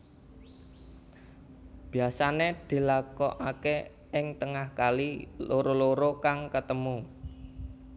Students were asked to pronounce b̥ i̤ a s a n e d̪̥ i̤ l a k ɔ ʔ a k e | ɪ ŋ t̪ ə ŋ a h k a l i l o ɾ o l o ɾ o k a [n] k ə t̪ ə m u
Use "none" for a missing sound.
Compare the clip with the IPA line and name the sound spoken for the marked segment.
ŋ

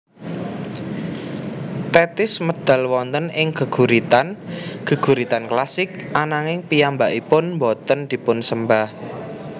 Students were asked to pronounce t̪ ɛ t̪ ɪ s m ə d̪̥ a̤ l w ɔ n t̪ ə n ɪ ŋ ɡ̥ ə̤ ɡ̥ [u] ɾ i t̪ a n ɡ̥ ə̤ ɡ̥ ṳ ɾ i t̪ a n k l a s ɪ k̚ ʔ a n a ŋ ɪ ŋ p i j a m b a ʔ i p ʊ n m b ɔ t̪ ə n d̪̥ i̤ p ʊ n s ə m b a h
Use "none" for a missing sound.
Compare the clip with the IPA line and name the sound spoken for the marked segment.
u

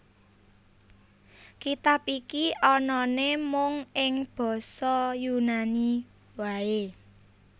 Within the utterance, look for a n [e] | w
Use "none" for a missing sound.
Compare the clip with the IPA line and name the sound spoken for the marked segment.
i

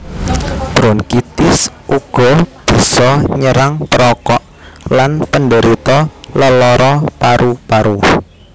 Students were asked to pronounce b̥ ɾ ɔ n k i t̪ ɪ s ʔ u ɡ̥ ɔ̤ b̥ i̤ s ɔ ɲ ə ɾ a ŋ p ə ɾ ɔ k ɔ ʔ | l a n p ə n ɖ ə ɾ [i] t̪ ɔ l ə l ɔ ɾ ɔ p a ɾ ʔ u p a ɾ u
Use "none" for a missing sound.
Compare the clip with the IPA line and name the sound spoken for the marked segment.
i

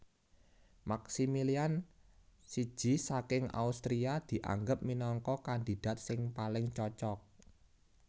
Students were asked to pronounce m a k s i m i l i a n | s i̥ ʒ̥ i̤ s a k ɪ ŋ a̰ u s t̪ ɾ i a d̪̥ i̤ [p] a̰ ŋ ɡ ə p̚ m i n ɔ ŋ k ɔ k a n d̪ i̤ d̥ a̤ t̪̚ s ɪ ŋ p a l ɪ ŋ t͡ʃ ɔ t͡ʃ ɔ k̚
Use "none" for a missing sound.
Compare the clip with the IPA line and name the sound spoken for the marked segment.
ʔ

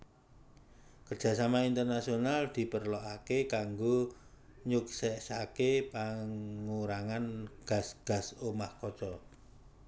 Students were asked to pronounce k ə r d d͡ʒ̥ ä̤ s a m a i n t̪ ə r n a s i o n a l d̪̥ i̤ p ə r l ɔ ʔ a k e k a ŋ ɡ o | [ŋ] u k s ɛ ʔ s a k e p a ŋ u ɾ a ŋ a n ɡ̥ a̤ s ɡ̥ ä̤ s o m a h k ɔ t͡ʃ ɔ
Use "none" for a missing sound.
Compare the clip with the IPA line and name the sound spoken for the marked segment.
ɲ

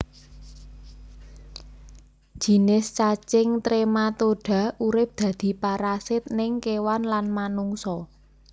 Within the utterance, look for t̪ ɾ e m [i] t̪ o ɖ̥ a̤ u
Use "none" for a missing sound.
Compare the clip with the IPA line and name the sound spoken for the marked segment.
a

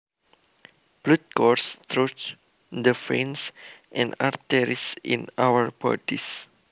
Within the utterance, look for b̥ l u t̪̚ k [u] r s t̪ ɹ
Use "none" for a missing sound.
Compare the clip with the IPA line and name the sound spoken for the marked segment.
ɔ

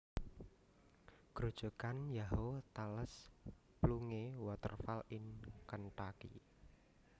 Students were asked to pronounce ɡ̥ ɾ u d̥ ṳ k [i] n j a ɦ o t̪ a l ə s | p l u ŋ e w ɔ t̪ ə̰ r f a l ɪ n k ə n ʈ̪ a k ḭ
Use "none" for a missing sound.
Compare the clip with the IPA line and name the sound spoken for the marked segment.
a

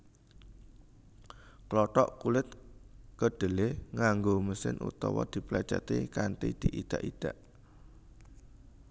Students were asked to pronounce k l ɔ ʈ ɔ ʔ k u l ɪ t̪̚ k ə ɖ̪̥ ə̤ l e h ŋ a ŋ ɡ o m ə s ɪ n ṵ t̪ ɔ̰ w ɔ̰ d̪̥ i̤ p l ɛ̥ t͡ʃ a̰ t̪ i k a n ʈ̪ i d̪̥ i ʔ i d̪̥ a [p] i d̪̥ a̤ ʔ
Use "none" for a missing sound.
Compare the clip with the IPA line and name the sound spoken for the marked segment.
ʔ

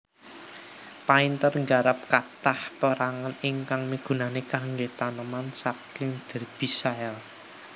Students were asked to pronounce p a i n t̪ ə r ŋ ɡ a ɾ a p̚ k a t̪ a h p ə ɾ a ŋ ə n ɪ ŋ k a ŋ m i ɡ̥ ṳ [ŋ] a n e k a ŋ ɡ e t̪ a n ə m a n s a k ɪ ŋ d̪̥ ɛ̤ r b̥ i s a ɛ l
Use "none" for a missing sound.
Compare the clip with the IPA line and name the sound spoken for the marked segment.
n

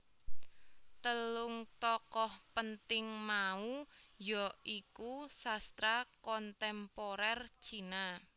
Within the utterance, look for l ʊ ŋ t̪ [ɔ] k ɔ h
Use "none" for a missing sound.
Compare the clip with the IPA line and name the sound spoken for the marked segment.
ɔ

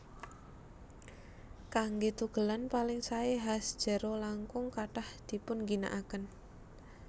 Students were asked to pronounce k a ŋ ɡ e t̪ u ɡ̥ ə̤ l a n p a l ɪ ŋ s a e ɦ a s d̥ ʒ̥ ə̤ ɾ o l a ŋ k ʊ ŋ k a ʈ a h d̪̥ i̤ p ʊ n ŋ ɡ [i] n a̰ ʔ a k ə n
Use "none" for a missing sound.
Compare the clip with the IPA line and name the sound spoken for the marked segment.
i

